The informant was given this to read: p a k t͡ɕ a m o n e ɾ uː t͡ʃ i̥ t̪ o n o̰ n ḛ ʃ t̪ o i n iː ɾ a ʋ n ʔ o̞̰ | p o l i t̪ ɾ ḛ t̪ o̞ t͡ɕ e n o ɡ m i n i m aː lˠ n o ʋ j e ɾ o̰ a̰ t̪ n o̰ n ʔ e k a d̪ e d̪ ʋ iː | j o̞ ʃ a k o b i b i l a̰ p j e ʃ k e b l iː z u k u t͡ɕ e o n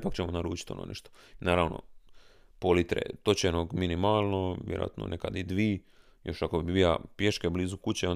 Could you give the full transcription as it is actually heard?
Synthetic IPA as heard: p a k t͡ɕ e m o n a ɾ uː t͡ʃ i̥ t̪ o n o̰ n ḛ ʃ t̪ o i n aː ɾ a ʋ n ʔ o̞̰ | p o l i t̪ ɾ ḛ t̪ o̞ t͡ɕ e n o ɡ m i n i m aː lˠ n o ʋ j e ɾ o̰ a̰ t̪ n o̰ n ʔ e k a d̪ i d̪ ʋ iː | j o̞ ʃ a k o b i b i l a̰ p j e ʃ k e b l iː z u k u t͡ɕ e o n